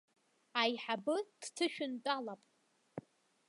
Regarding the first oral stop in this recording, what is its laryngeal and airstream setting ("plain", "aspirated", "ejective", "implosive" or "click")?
plain